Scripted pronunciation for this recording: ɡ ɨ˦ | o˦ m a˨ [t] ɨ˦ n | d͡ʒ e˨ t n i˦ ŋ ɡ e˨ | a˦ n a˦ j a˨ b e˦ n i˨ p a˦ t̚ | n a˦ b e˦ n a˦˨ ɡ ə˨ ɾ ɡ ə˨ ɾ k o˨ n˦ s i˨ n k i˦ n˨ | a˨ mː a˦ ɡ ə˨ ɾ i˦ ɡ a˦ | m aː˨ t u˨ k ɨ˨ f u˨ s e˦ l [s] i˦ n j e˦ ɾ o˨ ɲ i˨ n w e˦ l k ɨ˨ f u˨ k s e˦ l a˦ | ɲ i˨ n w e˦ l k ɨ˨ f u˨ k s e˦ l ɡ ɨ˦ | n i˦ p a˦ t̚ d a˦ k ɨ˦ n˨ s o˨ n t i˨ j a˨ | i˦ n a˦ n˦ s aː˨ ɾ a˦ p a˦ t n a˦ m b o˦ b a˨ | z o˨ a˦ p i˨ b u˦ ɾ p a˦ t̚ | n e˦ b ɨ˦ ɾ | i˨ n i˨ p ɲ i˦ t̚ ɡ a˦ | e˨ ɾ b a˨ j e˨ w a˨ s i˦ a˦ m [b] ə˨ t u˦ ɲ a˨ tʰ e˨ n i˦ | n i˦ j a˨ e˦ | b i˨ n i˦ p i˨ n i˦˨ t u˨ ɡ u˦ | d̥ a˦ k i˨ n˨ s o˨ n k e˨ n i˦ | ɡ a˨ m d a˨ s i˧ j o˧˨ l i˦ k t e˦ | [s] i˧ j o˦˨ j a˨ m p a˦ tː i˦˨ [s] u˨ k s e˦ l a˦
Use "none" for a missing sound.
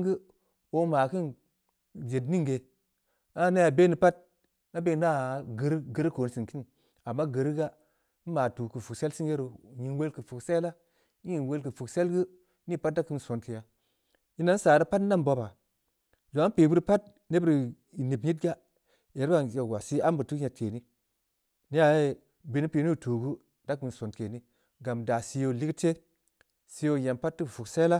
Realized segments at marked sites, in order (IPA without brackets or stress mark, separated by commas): k, s, b, s, f